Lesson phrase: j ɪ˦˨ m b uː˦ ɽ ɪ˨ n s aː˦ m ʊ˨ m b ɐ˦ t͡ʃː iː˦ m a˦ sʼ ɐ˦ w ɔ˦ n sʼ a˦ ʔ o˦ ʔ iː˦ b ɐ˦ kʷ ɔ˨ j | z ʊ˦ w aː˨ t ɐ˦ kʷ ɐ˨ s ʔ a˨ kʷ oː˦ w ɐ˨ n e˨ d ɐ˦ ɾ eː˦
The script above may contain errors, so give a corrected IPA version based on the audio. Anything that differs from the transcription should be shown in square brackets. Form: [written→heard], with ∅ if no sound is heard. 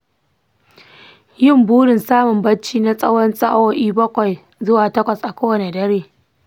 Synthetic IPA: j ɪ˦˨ m b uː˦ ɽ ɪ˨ n s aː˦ m ʊ˨ m b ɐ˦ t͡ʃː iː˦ [m→n] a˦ sʼ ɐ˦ w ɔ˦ n sʼ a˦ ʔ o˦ ʔ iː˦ b ɐ˦ kʷ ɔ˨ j | z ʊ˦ w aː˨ t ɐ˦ kʷ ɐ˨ s ʔ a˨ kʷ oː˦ w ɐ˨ n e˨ d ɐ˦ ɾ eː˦